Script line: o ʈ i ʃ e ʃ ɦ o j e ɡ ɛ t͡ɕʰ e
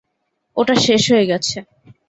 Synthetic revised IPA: o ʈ a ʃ e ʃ ɦ o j e ɡ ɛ t͡ɕʰ e